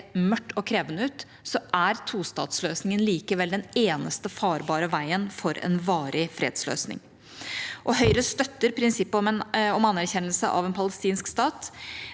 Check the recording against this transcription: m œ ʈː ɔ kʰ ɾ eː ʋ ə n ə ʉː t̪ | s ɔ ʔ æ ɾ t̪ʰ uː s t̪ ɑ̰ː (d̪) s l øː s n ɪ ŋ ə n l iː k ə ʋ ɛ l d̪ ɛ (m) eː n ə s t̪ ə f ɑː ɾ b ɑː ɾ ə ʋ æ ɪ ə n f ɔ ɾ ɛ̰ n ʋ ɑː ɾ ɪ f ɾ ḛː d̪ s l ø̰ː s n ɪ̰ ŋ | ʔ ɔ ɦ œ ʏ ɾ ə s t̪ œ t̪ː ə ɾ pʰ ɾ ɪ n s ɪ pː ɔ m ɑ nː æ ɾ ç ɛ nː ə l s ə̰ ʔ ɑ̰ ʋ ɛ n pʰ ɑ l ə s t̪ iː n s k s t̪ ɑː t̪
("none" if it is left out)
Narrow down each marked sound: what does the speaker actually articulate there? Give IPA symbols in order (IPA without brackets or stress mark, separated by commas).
t̪, n